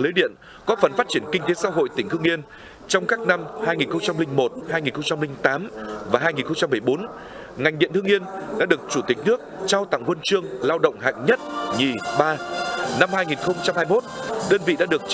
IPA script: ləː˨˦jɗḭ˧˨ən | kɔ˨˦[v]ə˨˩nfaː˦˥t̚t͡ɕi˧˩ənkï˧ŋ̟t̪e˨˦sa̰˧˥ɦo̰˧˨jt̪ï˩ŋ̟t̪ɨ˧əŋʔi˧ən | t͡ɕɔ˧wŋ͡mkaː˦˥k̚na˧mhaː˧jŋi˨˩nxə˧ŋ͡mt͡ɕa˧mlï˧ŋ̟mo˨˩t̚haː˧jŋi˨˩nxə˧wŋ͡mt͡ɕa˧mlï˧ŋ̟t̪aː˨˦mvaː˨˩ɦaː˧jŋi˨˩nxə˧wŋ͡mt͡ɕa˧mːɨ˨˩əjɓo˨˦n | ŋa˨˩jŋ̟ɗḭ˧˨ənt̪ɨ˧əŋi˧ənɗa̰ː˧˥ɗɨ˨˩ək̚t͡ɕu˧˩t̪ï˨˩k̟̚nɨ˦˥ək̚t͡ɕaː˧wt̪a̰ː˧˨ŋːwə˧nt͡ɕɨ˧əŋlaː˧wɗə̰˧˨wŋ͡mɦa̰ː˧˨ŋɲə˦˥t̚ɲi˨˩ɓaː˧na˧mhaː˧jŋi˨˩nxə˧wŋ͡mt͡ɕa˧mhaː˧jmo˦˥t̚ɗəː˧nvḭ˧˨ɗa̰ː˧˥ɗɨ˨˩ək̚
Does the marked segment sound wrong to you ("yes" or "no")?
yes